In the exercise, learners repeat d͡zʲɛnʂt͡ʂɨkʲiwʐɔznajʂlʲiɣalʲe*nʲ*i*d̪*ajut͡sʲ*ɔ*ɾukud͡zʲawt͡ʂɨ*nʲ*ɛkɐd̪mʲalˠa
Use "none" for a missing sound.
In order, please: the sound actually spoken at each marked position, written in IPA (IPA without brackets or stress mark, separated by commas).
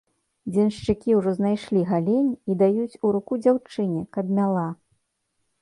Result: nʲ, d̪, u, nʲ